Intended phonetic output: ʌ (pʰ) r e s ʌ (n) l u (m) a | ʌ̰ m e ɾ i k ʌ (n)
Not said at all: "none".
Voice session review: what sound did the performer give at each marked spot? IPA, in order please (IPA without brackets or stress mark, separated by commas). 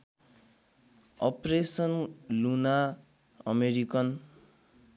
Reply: p, n, n, n